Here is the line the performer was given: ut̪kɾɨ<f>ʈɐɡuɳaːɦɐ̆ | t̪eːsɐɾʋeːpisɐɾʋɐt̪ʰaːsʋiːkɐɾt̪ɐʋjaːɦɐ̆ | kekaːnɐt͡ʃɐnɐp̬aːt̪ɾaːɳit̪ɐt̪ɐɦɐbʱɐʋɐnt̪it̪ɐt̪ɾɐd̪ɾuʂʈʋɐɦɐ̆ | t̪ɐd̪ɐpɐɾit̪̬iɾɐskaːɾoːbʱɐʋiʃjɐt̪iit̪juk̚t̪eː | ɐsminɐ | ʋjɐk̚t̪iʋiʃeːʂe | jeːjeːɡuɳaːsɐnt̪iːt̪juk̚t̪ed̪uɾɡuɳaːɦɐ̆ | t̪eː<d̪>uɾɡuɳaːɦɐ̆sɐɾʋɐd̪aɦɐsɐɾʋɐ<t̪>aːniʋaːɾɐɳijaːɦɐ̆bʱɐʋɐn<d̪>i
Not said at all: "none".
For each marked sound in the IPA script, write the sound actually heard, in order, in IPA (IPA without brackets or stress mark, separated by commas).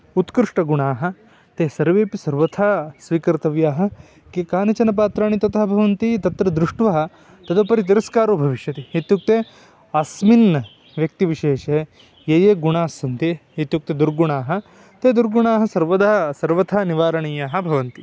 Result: ʂ, d̪, t̪ʰ, t̪